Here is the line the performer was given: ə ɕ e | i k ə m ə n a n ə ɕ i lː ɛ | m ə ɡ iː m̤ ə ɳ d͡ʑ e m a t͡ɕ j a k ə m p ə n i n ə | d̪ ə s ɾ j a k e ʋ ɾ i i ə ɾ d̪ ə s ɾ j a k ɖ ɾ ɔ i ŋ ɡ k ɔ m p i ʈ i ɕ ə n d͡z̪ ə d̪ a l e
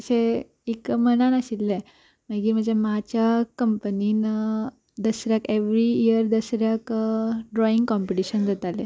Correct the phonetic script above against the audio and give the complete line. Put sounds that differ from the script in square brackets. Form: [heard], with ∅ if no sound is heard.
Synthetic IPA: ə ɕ e | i k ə m ə n a n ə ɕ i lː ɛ | m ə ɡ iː m̤ ə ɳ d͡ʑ e m a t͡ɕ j a k ə m p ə n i n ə | d̪ ə s ɾ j a k e ʋ ɾ i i ə ɾ d̪ ə s ɾ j a k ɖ ɾ ɔ i ŋ ɡ k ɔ m p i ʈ i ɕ ə n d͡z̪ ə [t̪] a l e

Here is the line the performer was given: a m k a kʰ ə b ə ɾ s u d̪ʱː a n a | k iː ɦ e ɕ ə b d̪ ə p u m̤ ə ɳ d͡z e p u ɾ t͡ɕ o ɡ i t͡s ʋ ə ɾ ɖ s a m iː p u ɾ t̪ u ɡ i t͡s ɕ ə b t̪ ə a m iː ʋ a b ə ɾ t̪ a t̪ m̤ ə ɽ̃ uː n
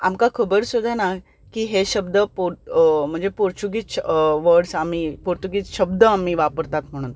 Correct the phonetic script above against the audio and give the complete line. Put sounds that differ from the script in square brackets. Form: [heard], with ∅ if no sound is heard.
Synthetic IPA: a m k a kʰ ə b ə ɾ s u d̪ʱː a n a | k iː ɦ e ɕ ə b d̪ ə p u m̤ ə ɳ d͡z e p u ɾ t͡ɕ [u] ɡ i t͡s ʋ ə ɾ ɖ s a m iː p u ɾ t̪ u ɡ i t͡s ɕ ə b [d̪] ə a m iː ʋ a [p] ə ɾ t̪ a t̪ m̤ ə ɽ̃ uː n

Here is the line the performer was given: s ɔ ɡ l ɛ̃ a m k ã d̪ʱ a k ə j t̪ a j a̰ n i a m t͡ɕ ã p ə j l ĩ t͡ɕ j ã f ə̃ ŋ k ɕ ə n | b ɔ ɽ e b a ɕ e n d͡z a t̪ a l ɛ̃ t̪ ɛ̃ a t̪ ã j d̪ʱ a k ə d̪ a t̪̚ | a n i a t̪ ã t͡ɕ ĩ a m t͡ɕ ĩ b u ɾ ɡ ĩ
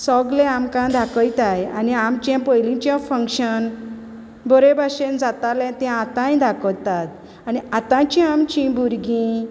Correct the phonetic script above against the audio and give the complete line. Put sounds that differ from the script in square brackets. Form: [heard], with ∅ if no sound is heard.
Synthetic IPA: s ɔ ɡ l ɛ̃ a m k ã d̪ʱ a k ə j t̪ a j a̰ n i a m t͡ɕ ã p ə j l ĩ t͡ɕ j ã f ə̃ ŋ k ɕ ə n | b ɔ [ɾ] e b a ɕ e n d͡z a t̪ a l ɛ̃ t̪ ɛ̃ a t̪ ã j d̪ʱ a k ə [t̪] a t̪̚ | a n i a t̪ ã t͡ɕ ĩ a m t͡ɕ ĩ b u ɾ ɡ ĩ

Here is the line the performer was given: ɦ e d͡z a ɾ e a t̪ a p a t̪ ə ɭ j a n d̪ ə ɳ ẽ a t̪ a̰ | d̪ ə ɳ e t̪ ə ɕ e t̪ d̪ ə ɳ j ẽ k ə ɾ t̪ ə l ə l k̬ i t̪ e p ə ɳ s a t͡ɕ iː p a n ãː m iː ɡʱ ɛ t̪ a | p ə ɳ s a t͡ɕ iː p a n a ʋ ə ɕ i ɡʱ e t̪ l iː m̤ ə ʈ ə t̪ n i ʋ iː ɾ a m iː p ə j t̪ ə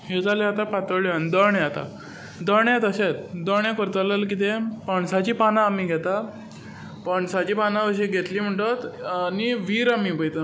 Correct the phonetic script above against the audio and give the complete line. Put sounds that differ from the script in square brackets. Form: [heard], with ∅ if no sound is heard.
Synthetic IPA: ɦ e d͡z a [l] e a t̪ a p a t̪ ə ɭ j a n d̪ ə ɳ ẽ a t̪ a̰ | d̪ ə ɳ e t̪ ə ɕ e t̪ d̪ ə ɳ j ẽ k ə ɾ t̪ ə l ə l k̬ i t̪ e p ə ɳ s a t͡ɕ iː p a n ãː m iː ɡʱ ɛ t̪ a | p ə ɳ s a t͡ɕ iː p a n a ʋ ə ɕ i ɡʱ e t̪ l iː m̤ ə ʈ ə t̪ n i ʋ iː ɾ a m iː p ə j t̪ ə

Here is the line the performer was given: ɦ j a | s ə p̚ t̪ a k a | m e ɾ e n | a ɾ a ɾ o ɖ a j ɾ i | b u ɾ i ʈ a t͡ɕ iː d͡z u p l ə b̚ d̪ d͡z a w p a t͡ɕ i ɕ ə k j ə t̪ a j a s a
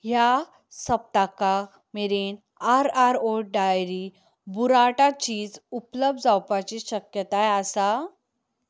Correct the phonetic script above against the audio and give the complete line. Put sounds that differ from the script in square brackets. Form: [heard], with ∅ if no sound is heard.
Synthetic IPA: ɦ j a | s ə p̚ t̪ a k a | m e ɾ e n | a ɾ a ɾ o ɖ a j ɾ i | b u ɾ [a] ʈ a t͡ɕ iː d͡z u p l ə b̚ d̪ d͡z a w p a t͡ɕ i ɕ ə k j ə t̪ a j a s a

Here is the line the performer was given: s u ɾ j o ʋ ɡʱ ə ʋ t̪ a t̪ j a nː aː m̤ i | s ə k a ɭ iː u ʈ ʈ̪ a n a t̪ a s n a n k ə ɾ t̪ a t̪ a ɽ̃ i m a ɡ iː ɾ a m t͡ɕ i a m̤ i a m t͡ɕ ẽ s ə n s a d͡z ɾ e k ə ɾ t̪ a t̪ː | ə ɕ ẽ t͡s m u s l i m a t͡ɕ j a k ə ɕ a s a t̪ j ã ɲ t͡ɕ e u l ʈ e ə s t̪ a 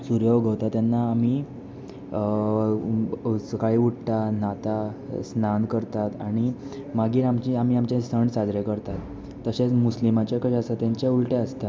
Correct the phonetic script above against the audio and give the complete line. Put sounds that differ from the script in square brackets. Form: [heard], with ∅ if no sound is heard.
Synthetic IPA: s u ɾ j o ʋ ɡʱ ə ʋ t̪ a t̪ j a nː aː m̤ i | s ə k a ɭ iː u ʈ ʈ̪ a n a t̪ a s n a n k ə ɾ t̪ a t̪ a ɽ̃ i m a ɡ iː ɾ a m t͡ɕ i a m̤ i a m t͡ɕ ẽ s ə [ɳ] s a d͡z ɾ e k ə ɾ t̪ a t̪ː | ə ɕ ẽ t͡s m u s l i m a t͡ɕ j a k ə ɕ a s a t̪ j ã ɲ t͡ɕ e u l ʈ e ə s t̪ a

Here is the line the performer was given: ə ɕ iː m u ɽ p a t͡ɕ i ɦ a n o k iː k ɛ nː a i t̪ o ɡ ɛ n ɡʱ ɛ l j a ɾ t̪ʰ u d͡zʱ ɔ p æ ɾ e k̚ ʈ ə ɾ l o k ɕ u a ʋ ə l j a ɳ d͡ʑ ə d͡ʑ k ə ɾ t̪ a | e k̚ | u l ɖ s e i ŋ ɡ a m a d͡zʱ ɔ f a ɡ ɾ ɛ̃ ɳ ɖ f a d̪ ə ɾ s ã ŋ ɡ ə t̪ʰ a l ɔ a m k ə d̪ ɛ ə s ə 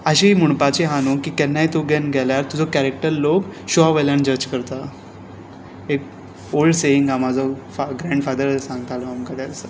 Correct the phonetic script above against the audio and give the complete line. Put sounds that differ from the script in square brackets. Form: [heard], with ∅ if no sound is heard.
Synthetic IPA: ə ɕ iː m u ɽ p a t͡ɕ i ɦ a n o k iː k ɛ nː a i t̪ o ɡ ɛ n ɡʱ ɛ l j a ɾ [t̪] u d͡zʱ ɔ [k] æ ɾ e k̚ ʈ ə ɾ l o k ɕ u a ʋ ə l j a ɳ d͡ʑ ə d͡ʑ k ə ɾ t̪ a | e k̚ | [o] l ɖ s e i ŋ ɡ a m a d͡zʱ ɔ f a ɡ ɾ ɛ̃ ɳ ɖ f a d̪ ə ɾ s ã ŋ ɡ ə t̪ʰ a l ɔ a m k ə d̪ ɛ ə s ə

